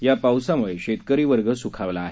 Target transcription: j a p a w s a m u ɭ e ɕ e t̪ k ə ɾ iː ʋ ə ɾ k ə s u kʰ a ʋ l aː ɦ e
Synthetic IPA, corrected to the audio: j a p a w s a m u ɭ e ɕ e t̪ k ə ɾ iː ʋ ə ɾ ɡ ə s u kʰ a ʋ l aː ɦ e